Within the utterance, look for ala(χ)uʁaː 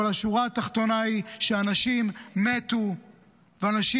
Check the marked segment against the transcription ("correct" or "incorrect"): incorrect